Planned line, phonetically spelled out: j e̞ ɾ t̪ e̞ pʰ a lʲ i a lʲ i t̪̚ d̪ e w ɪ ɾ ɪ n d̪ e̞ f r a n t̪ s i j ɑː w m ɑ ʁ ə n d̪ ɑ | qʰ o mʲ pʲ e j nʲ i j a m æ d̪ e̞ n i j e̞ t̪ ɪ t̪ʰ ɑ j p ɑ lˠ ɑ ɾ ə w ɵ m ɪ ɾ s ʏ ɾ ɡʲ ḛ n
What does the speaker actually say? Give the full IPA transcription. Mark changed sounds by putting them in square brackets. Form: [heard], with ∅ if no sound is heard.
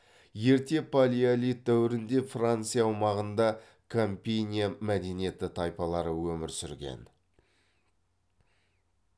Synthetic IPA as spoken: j e̞ ɾ t̪ e̞ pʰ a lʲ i a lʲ i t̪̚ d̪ [æ] w ɪ ɾ ɪ n d̪ e̞ f r a n t̪ s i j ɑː w m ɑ ʁ ə n d̪ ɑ | [kʰ] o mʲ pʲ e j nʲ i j a m æ d̪ e̞ n i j e̞ t̪ ɪ t̪ʰ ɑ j p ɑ lˠ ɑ ɾ ə w ɵ m ɪ ɾ s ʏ ɾ ɡʲ ḛ n